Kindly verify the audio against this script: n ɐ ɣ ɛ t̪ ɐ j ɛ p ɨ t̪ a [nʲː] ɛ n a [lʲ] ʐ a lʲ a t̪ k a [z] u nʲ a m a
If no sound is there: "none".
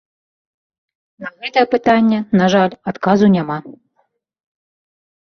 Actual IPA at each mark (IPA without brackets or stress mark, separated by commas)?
nʲː, none, z